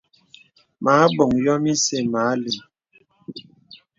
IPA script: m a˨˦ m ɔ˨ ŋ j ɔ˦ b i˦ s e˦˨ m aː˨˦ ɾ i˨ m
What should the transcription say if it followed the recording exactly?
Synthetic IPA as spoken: m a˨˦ b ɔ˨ ŋ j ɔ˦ m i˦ s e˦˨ m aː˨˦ l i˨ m